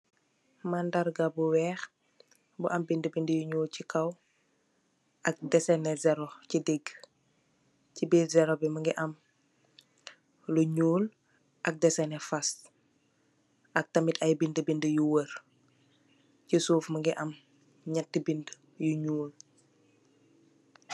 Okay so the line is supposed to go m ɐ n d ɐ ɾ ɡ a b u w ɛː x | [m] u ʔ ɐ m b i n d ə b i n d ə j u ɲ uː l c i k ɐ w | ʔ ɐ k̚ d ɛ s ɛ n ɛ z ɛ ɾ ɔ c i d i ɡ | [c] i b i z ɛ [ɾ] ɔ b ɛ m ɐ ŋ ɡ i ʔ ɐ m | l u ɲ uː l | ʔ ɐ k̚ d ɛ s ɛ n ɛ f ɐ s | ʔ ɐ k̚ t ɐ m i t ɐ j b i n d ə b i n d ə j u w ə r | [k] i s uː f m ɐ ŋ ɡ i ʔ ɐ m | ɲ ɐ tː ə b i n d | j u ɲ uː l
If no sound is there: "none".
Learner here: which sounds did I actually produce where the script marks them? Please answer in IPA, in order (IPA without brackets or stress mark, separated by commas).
b, c, ɾ, c